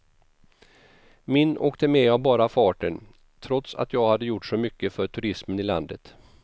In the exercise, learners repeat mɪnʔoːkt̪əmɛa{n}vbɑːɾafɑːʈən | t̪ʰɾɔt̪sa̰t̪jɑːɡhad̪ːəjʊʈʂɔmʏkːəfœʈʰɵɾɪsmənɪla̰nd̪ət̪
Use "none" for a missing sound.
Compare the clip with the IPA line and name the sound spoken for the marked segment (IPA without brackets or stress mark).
none